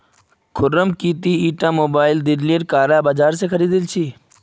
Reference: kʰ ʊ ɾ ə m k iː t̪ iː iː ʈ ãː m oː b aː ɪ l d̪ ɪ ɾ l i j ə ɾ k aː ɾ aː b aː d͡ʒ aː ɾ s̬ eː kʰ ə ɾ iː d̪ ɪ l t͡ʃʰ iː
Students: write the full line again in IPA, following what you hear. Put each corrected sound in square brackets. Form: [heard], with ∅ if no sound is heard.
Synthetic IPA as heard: kʰ ʊ ɾ ə m k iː t̪ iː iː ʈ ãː m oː b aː ɪ l d̪ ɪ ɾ l i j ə ɾ k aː ɾ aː b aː d͡ʒ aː ɾ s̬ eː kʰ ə ɾ iː d̪ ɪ l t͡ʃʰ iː